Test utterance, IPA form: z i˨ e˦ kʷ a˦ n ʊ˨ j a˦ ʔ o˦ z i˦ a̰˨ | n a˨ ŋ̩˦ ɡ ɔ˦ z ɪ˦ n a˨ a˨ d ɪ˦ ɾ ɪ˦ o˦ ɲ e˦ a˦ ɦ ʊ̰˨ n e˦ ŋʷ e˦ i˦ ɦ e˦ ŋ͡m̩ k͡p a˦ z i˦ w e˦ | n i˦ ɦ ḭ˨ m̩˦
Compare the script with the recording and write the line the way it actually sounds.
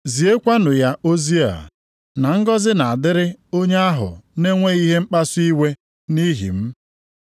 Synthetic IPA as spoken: z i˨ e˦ kʷ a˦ n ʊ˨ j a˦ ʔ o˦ z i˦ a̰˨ | n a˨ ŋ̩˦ ɡ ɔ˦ z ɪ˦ n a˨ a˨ d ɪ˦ ɾ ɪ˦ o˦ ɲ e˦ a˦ ɦ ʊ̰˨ n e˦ ŋʷ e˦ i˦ ɦ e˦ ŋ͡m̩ k͡p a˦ s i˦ w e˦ | n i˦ ɦ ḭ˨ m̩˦

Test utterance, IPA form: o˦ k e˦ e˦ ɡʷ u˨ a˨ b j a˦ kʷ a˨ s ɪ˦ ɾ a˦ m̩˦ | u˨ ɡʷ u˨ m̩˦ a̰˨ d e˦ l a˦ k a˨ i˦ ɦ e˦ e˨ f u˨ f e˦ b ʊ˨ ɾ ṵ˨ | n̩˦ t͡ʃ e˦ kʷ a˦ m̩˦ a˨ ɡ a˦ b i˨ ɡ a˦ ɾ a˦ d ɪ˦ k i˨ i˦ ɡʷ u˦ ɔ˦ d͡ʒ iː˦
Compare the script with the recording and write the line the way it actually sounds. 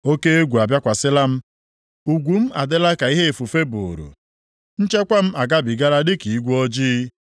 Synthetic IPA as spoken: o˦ k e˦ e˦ ɡʷ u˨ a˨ b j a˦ kʷ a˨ s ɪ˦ l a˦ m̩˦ | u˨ ɡʷ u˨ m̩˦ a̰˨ d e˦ l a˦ k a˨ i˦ ɦ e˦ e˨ f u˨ f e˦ b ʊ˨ ɾ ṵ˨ | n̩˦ t͡ʃ e˦ kʷ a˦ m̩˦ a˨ ɡ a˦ b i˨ ɡ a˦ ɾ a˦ d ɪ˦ k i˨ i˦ ɡʷ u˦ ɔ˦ d͡ʒ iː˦

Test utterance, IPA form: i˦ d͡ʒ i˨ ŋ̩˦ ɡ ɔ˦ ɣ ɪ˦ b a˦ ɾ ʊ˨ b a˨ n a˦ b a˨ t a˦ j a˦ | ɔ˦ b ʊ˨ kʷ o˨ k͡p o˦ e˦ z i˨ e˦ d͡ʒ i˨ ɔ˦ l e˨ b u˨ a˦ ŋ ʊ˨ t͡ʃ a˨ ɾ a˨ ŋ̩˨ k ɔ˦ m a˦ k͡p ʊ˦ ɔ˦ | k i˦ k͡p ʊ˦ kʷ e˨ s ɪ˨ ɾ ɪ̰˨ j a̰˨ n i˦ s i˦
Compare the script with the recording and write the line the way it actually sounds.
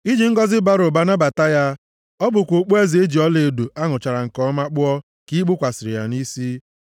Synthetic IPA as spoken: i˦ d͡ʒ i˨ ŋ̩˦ ɡ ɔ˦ z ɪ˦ b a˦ ɾ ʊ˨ b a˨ n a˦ b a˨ t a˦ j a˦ | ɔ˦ b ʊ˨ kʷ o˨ k͡p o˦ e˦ z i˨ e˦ d͡ʒ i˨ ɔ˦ l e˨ d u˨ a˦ ŋ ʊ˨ t͡ʃ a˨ ɾ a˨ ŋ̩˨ k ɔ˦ m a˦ k͡p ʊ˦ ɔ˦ | k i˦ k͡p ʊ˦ kʷ a˨ s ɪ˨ ɾ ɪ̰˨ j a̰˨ n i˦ s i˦

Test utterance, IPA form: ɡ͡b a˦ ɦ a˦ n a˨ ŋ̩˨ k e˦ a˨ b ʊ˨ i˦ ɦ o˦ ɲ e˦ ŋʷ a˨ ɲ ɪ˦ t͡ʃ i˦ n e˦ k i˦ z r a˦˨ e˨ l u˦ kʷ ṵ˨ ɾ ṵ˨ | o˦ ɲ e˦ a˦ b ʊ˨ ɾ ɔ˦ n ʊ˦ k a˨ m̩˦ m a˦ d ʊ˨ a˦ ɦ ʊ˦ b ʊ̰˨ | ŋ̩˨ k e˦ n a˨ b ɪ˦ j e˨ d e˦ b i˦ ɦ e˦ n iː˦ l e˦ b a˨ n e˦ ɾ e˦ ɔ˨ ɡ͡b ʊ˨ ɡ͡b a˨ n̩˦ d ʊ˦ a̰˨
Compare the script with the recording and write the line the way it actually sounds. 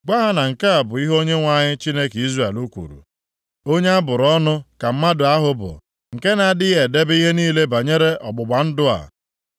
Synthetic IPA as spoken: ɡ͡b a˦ ɦ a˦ n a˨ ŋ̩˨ k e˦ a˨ b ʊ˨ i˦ ɦ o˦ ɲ e˦ ŋʷ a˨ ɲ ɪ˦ t͡ʃ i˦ n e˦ k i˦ z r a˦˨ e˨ l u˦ kʷ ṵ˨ ɾ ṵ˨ | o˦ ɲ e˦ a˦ b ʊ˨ ɾ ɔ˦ n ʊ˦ k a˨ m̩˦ m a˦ d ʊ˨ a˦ ɦ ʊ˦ b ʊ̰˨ | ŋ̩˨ k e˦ n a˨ d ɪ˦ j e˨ d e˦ b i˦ ɦ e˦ n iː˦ l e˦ b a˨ ɲ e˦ ɾ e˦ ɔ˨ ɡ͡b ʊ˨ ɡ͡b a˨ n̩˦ d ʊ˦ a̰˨

